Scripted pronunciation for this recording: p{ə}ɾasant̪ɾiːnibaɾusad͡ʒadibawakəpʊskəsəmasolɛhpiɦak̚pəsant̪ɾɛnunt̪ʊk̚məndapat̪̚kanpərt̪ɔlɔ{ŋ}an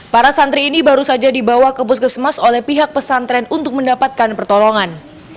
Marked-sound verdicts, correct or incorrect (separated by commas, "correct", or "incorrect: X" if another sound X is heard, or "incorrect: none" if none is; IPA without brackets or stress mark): incorrect: a, correct